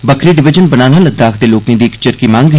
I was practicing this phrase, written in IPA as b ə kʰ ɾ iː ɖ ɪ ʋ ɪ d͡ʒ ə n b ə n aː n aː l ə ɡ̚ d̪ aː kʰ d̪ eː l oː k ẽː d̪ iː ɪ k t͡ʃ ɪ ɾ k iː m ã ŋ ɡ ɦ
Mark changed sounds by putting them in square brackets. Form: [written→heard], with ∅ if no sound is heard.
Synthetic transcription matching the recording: b ə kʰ ɾ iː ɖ ɪ ʋ ɪ d͡ʒ ə n b ə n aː n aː l ə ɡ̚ d̪ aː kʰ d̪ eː l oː k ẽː d̪ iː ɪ k t͡ʃ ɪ ɾ k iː m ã ŋ ɡ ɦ